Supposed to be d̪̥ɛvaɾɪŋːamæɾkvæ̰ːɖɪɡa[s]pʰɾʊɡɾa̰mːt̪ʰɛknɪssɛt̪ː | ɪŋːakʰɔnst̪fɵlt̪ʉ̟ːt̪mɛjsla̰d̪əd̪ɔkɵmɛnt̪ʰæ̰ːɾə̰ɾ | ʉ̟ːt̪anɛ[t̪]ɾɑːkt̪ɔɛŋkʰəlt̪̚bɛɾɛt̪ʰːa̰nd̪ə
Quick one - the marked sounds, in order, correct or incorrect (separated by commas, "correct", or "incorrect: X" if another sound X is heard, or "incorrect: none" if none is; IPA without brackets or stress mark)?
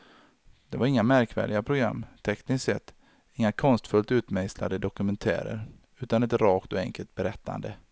incorrect: none, correct